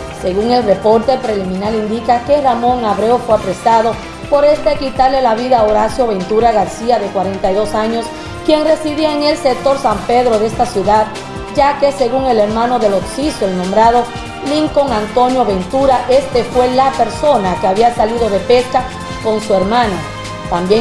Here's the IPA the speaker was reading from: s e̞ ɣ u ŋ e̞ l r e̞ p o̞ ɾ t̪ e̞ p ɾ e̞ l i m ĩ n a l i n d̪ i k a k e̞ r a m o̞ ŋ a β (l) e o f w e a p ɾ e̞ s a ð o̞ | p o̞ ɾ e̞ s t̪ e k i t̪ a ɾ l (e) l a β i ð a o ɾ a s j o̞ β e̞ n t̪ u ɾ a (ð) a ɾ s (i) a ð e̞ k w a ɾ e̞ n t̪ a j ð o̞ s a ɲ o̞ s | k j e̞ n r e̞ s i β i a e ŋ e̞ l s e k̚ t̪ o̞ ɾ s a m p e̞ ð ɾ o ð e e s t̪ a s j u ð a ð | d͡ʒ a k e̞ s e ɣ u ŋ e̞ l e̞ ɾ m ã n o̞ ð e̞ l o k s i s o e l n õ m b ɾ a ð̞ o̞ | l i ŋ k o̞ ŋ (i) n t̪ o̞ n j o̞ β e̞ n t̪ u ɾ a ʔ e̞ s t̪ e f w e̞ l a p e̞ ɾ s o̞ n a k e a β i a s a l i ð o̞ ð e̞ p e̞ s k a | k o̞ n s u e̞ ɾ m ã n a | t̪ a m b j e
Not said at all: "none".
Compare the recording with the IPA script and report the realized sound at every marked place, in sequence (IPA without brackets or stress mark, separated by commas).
ɾ, e, ɣ, i, a